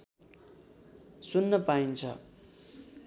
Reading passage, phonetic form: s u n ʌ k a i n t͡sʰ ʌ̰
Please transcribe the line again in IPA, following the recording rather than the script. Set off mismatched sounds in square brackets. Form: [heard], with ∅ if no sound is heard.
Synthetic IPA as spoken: s u [nː] ʌ [p] a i n t͡sʰ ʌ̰